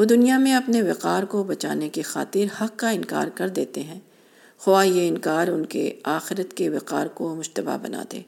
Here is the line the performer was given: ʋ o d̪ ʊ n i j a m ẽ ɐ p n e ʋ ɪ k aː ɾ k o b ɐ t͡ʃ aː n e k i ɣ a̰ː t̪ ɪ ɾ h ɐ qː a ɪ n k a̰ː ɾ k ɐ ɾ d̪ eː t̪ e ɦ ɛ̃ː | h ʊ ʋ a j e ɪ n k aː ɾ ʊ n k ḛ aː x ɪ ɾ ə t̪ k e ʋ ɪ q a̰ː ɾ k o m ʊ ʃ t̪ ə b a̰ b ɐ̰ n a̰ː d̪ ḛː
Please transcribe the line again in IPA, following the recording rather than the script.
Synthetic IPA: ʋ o d̪ ʊ n i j a m ẽ ɐ p n e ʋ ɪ q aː ɾ k o b ɐ t͡ʃ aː n e k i x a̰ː t̪ ɪ ɾ h ɐ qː a ɪ n k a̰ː ɾ k ɐ ɾ d̪ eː t̪ e ɦ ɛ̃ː | x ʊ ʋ a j e ɪ n k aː ɾ ʊ n k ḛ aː x ɪ ɾ ə t̪ k e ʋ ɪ q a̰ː ɾ k o m ʊ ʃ t̪ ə b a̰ b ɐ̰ n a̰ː d̪ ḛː